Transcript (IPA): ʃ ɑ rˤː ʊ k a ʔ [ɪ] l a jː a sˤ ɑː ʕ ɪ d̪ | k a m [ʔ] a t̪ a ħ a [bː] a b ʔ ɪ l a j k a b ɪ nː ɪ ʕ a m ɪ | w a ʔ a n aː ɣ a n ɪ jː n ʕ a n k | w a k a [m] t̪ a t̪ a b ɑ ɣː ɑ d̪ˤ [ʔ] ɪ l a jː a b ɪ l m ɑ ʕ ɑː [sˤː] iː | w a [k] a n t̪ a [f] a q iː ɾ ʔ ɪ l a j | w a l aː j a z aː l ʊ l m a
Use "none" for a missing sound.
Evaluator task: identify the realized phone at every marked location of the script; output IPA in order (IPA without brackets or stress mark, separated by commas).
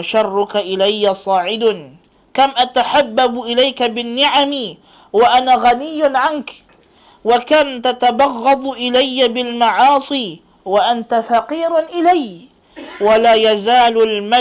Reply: ɪ, ʔ, bː, m, ʔ, sˤ, ʔ, f